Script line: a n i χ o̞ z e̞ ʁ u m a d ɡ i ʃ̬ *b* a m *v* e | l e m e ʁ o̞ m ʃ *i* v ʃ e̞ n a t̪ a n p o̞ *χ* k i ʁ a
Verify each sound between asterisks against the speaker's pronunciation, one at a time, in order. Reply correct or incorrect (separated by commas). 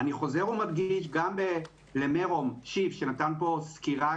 incorrect, incorrect, correct, incorrect